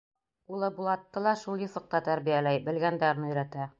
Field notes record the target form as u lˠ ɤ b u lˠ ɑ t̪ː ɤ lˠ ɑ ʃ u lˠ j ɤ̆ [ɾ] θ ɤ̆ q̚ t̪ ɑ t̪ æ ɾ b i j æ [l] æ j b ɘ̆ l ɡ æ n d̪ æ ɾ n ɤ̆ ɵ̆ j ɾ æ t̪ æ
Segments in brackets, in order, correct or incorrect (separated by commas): incorrect, correct